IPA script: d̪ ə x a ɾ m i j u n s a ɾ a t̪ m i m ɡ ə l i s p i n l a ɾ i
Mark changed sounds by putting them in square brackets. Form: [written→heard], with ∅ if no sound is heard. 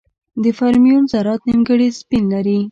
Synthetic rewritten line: d̪ ə [x→f] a ɾ m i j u n [s→z] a ɾ [a→ɑ] t̪ [m→n] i m ɡ ə [l→ɽ] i s p i n l a ɾ i